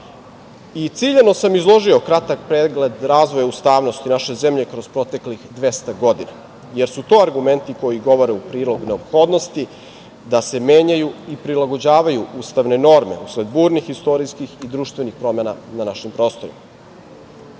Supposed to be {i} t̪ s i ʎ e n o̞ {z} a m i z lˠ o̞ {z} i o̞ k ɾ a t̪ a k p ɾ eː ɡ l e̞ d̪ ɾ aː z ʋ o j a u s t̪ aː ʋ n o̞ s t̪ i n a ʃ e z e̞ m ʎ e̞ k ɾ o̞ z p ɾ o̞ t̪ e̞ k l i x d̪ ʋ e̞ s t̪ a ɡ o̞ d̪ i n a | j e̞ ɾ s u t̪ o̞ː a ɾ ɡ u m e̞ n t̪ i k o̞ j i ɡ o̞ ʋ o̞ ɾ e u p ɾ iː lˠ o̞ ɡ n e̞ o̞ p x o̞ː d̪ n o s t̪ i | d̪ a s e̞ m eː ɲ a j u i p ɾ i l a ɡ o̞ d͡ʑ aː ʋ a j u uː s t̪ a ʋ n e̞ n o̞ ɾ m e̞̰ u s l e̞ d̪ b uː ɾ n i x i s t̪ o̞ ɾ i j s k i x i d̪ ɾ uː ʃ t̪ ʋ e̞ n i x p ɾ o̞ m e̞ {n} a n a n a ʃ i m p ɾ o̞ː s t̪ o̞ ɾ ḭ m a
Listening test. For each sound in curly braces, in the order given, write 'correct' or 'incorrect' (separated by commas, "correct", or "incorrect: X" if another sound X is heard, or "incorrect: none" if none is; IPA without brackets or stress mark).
correct, incorrect: s, incorrect: ʒ, correct